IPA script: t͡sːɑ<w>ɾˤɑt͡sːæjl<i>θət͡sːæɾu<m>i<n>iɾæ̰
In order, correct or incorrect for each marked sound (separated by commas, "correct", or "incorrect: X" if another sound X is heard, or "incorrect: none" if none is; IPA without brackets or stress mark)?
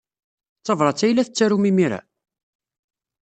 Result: incorrect: v, incorrect: æ, correct, incorrect: m